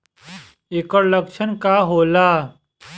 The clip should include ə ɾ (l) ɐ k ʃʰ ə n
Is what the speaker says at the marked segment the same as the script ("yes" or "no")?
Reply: yes